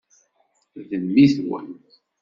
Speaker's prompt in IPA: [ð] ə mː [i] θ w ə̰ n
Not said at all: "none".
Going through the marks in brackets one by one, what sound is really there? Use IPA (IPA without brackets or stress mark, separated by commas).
ð, i